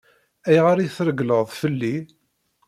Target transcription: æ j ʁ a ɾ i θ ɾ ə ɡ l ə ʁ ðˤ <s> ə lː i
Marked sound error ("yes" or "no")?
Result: yes